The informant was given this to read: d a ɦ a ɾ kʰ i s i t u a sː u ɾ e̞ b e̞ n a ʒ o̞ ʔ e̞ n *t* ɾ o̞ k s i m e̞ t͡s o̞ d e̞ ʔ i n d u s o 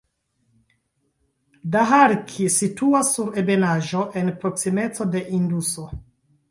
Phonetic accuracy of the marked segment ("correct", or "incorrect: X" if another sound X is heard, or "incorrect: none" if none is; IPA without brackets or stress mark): incorrect: p